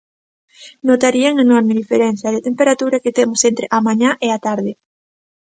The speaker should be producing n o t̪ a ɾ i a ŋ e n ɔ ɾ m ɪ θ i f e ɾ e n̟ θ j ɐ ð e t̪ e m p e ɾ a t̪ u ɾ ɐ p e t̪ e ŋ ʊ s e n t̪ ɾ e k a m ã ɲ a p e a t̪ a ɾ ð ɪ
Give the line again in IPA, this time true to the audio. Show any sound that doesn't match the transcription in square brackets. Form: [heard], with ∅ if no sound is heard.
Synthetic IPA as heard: n o t̪ a ɾ i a ŋ e n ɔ ɾ m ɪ [ð] i f e ɾ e n̟ θ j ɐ ð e t̪ e m p e ɾ a t̪ u ɾ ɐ [k] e t̪ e [m] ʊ s e n t̪ ɾ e [ʔ] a m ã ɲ a [ʔ] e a t̪ a ɾ ð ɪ